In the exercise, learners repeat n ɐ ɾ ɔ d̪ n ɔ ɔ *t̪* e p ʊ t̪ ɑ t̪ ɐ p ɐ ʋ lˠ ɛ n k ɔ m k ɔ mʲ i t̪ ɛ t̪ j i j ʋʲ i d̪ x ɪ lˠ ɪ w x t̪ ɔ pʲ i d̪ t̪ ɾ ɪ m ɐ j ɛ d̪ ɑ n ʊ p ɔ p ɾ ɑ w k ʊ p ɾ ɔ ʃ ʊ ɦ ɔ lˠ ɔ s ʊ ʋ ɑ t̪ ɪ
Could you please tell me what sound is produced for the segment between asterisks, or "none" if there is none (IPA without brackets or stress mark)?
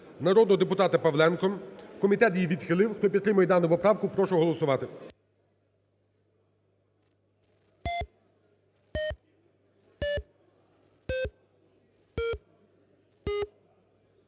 d̪